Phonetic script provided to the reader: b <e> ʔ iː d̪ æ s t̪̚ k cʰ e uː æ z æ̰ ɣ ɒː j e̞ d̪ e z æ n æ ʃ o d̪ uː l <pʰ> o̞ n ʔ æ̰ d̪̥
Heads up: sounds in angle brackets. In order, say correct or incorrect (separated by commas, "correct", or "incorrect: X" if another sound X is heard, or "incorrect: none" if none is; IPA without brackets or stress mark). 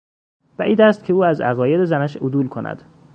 incorrect: æ, incorrect: kʰ